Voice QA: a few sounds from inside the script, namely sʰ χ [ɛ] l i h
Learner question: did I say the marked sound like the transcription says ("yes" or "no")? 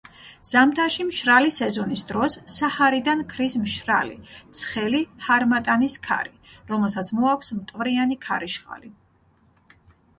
yes